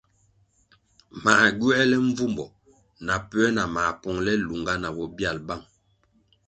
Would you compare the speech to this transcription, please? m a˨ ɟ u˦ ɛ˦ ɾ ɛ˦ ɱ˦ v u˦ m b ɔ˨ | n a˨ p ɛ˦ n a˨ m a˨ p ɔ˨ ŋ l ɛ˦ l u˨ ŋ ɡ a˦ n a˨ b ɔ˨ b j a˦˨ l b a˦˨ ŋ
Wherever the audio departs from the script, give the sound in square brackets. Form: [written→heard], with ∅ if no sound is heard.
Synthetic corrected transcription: m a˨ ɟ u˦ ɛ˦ [ɾ→l] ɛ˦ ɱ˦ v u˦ m b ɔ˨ | n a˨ p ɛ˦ n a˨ m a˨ p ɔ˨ ŋ l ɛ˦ l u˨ ŋ ɡ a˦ n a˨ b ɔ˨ b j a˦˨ l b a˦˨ ŋ

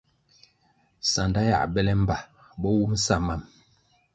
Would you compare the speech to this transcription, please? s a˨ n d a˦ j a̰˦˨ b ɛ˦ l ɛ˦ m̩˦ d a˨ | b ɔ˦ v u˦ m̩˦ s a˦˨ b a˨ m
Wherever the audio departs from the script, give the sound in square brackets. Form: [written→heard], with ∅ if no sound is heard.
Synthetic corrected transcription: s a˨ n d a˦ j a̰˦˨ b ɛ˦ l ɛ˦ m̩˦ [d→b] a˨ | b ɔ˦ [v→w] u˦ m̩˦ s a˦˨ [b→m] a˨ m

